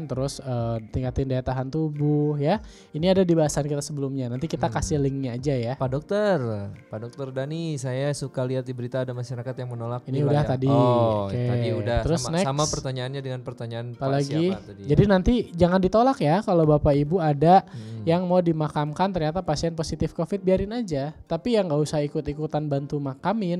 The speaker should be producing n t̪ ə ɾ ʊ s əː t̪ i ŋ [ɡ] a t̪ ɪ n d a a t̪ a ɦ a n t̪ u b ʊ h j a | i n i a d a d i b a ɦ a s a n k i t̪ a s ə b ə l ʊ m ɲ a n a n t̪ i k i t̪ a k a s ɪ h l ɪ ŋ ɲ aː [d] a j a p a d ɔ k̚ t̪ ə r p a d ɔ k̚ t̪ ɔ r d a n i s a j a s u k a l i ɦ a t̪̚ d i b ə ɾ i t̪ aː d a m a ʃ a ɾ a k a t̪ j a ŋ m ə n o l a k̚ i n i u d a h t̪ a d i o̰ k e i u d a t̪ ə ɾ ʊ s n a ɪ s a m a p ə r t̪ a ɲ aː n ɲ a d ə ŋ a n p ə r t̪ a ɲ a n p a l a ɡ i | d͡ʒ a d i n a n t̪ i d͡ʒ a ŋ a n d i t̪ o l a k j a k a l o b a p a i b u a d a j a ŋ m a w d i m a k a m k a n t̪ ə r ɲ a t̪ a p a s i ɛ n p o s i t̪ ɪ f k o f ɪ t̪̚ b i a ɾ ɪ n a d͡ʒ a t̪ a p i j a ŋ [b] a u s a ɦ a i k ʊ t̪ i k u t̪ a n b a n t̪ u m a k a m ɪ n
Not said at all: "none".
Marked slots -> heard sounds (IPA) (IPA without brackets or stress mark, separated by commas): k, d͡ʒ, ɡ